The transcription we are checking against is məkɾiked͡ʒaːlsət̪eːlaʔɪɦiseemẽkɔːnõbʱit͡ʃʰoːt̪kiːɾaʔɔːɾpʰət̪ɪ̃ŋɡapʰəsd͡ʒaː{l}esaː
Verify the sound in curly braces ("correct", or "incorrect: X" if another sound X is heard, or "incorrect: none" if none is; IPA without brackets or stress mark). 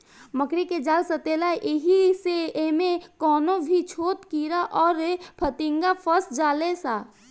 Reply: correct